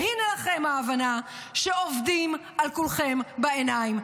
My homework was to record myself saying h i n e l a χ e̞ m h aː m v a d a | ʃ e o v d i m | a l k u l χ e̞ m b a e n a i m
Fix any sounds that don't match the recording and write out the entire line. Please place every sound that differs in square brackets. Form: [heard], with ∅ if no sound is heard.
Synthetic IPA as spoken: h i n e l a χ e̞ m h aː [∅] v a [n] a | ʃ e o v d i m | a l k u l χ e̞ m b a e n a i m